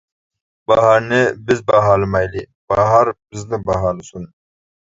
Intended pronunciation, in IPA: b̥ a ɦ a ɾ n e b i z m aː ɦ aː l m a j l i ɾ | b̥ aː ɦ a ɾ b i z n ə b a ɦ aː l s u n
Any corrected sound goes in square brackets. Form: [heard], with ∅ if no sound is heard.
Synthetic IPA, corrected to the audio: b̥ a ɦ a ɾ n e b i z [b] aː ɦ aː l m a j l i [∅] | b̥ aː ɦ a ɾ b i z n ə b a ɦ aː l s u n